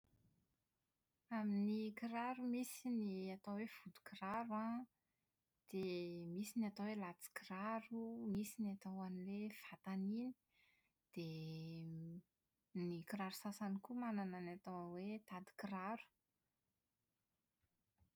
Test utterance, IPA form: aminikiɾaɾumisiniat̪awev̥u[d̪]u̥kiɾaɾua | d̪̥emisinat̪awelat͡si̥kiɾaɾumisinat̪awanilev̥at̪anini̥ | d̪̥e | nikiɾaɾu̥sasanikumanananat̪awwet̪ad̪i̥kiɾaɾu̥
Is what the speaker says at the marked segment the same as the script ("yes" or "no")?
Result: yes